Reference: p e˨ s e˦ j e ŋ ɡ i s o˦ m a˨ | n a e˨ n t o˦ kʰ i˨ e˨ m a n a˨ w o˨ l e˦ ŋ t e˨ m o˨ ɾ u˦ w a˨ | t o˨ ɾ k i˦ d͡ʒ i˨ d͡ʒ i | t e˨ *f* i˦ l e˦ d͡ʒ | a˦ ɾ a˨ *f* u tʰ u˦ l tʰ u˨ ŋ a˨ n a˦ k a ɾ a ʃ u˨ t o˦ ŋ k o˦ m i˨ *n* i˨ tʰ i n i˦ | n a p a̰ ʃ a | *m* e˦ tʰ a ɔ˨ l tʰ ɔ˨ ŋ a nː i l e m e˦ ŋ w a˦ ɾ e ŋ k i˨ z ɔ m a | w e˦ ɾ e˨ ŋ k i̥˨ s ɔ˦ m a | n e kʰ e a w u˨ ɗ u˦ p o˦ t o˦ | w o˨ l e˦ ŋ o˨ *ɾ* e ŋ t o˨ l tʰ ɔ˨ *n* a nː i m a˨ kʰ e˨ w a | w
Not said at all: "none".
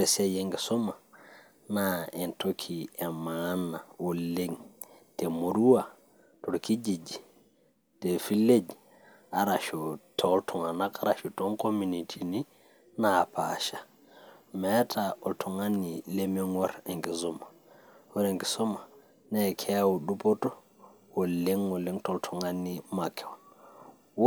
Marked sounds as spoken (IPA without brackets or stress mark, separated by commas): f, ʃ, n, m, l, ŋ